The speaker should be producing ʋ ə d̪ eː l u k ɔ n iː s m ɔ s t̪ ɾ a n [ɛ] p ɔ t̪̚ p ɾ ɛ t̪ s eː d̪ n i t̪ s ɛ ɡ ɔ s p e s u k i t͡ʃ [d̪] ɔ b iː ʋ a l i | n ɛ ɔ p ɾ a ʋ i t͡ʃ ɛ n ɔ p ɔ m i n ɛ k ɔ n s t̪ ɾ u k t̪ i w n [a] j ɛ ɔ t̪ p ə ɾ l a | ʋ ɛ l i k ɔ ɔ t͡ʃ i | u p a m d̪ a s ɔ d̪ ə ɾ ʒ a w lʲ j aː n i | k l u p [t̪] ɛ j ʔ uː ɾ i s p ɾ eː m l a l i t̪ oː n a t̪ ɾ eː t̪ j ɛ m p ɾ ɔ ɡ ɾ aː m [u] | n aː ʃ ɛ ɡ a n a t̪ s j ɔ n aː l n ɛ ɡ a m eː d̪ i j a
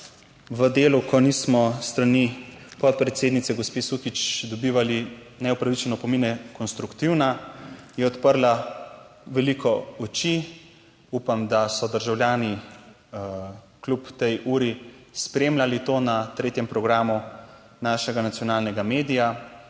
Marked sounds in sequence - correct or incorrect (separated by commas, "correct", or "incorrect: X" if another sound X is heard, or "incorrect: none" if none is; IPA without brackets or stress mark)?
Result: incorrect: i, correct, correct, correct, correct